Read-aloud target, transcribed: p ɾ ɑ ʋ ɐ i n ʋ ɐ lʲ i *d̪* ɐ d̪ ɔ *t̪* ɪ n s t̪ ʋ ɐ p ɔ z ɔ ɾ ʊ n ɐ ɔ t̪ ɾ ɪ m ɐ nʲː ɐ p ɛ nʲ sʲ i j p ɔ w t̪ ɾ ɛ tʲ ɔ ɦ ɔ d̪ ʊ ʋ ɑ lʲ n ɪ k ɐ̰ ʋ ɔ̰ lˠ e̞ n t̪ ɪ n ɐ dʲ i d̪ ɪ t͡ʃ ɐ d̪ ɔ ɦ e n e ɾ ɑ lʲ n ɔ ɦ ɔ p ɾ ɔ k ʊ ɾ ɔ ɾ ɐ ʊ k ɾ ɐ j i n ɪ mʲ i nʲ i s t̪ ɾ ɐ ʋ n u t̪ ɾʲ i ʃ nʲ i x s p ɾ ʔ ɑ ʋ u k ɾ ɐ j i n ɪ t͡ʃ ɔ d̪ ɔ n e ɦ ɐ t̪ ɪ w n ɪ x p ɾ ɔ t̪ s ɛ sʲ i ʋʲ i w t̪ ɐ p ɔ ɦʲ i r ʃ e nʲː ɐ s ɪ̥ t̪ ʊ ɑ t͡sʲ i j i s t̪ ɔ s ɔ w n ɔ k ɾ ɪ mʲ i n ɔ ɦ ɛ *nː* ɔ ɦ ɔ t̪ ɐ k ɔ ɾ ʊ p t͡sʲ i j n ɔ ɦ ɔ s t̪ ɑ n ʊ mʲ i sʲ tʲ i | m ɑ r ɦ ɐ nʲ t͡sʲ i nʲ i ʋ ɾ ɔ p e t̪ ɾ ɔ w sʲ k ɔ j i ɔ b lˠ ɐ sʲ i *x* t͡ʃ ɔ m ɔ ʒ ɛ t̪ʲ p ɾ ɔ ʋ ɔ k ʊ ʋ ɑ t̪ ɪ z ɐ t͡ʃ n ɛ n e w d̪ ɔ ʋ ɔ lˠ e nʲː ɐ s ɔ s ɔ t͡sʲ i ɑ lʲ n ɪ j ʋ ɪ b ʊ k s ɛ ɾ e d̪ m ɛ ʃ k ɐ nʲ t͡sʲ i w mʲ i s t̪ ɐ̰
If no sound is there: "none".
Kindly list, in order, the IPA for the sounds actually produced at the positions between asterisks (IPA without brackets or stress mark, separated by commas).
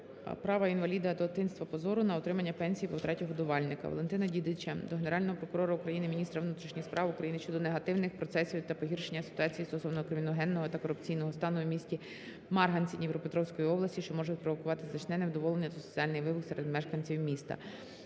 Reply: d̪, t̪, nː, ʃ